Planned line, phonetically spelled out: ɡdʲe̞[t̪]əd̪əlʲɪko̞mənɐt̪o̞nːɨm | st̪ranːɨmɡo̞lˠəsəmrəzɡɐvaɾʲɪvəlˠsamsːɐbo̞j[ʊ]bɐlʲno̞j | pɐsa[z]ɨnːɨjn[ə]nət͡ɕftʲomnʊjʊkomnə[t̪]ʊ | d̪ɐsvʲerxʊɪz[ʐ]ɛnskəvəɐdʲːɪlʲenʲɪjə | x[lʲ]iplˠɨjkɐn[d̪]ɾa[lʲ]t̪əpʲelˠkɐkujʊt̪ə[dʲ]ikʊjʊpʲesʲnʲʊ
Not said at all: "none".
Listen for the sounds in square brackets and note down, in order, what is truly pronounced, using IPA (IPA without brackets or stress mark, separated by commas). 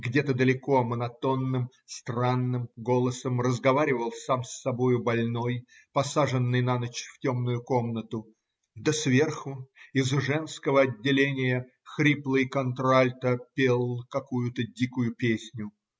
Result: t̪, ʊ, ʐ, a, t̪, ʐ, ɾʲ, t̪, lʲ, dʲ